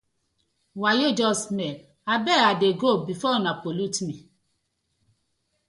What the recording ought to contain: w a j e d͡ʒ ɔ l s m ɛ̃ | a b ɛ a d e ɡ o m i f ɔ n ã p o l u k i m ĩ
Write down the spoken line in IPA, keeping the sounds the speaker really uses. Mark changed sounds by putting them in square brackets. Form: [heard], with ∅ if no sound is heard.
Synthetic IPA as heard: w a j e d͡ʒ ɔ [∅] s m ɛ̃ | a b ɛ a d e ɡ o [b] i f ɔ n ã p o l u [t] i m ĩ